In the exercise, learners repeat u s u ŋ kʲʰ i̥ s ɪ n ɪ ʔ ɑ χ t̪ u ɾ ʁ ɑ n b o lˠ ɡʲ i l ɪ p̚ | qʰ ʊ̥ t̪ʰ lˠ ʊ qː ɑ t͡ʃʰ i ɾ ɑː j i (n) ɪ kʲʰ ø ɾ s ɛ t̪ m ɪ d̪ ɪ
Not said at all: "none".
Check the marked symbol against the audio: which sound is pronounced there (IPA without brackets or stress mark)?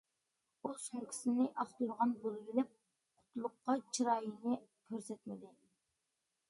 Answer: n